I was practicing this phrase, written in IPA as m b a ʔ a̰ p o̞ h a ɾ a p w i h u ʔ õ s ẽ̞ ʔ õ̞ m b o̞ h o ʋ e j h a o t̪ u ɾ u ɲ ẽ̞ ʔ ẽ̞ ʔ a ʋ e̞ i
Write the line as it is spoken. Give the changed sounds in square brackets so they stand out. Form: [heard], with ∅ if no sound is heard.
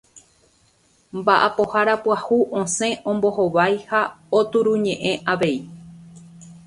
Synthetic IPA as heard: m b a ʔ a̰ p o̞ h a ɾ a p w [a] h u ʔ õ s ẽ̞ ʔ õ̞ m b o̞ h o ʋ [a] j h a o t̪ u ɾ u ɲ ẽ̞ ʔ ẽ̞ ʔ a ʋ e̞ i

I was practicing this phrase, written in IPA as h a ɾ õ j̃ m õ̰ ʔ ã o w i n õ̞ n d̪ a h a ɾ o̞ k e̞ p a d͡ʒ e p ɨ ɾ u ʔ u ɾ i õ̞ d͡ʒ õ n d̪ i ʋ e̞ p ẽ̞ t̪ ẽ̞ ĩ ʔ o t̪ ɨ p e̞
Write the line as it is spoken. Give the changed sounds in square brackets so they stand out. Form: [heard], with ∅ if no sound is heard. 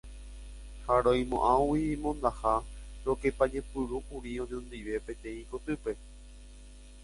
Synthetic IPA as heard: h a ɾ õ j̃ m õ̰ ʔ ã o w i [m] õ̞ n d̪ a h a ɾ o̞ k e̞ p a d͡ʒ e p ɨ ɾ u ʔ u ɾ i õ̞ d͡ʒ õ n d̪ i ʋ e̞ p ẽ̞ t̪ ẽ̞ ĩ [k] o t̪ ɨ p e̞

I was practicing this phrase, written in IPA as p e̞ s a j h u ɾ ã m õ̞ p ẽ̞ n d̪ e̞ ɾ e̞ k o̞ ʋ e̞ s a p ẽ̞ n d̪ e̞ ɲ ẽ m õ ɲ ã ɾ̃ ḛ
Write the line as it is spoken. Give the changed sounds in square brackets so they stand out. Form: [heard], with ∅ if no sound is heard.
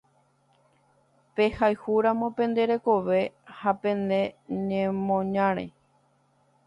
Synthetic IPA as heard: p e̞ [h] a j h u ɾ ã m õ̞ p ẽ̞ n d̪ e̞ ɾ e̞ k o̞ ʋ e̞ [h] a p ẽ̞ n d̪ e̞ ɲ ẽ m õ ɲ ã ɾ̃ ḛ

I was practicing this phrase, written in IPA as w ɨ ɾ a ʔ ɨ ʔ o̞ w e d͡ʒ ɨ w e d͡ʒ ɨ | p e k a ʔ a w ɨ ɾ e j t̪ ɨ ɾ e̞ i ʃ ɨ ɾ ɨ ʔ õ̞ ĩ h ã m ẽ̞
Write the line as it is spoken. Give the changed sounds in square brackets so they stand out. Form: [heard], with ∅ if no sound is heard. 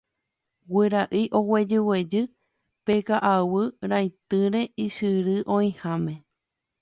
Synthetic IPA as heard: w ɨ ɾ a ʔ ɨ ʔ o̞ w e d͡ʒ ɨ w e d͡ʒ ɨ | p e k a ʔ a w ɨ ɾ [a] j t̪ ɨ ɾ e̞ i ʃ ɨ ɾ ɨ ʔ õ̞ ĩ h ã m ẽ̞

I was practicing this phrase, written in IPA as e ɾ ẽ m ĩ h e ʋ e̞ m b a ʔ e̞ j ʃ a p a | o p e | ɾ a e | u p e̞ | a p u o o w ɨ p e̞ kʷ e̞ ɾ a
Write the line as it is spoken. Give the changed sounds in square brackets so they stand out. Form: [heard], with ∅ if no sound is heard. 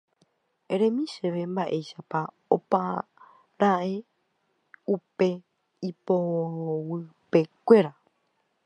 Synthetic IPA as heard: e ɾ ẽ m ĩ [ʃ] e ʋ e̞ m b a ʔ e̞ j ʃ a p a | o p [a] | ɾ a e | u p e̞ | [i] p [o] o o w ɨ p e̞ kʷ e̞ ɾ a

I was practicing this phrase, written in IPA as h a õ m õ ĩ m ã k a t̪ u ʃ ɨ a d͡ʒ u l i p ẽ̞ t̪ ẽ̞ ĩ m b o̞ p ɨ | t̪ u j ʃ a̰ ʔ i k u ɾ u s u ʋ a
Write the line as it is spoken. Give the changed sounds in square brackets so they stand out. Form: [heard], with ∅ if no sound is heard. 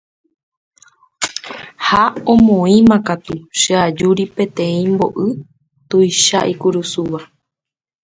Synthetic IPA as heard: h a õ m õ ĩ m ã k a t̪ u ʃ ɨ a d͡ʒ u [ɾ] i p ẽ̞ t̪ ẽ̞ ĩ m b o̞ [ʔ] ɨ | t̪ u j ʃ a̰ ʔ i k u ɾ u s u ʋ a

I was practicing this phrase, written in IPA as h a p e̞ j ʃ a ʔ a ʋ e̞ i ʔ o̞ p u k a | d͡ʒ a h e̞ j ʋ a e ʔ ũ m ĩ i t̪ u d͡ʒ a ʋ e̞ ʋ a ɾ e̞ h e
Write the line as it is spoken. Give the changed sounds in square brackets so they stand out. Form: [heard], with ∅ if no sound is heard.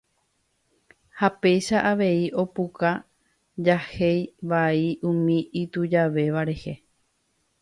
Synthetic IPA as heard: h a p e̞ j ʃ a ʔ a ʋ e̞ i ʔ o̞ p u k a | d͡ʒ a h e̞ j ʋ a [i] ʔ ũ m ĩ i t̪ u d͡ʒ a ʋ e̞ ʋ a ɾ e̞ h e

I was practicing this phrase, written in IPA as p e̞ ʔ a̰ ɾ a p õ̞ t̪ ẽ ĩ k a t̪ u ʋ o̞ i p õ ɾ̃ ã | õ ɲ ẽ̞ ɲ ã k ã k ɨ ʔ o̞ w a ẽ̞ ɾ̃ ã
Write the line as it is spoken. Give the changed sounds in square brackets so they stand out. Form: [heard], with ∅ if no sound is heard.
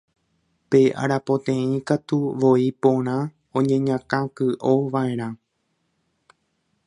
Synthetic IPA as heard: p e̞ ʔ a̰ ɾ a p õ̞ t̪ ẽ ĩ k a t̪ u ʋ o̞ i p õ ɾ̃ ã | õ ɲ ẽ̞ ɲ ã k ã k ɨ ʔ o̞ [ʋ] a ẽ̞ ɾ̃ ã

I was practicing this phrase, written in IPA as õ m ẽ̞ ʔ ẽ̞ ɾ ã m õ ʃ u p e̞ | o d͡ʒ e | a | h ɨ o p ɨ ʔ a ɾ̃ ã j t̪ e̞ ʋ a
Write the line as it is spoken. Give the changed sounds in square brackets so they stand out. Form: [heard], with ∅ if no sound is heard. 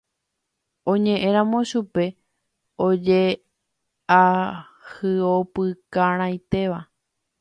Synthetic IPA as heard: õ [ɲ] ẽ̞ ʔ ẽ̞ ɾ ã m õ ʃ u p e̞ | o d͡ʒ e | a | h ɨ o p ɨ [k] a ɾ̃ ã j t̪ e̞ ʋ a

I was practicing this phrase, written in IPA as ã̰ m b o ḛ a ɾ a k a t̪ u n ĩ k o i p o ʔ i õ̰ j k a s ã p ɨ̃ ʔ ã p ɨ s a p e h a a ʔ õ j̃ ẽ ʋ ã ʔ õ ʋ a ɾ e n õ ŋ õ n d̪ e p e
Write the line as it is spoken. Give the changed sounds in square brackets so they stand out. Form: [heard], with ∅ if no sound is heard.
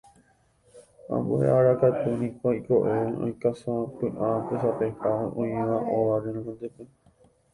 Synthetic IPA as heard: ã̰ m b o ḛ a ɾ a k a t̪ u n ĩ k o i [k] o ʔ [e] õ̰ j k a s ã p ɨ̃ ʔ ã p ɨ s a p e h a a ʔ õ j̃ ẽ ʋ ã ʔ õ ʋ a ɾ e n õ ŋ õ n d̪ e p e

